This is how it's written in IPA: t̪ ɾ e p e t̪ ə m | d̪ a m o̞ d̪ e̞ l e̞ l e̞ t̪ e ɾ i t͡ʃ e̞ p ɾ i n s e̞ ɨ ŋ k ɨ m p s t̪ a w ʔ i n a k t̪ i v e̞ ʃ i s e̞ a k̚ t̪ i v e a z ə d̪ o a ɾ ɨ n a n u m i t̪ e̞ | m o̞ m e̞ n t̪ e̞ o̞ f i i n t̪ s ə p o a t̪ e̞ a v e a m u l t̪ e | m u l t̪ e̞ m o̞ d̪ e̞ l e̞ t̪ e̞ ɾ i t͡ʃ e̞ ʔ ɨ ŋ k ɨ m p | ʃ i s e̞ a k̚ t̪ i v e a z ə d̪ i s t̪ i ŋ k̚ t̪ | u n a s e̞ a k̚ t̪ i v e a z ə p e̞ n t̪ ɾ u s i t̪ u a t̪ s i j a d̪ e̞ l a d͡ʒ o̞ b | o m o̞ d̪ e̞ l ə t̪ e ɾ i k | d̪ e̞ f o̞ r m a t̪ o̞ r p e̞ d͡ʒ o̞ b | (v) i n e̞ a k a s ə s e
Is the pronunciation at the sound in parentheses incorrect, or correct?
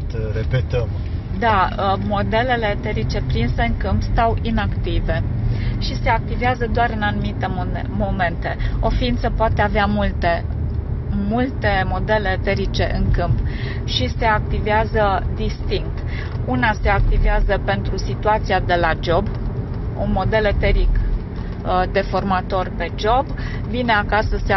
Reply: correct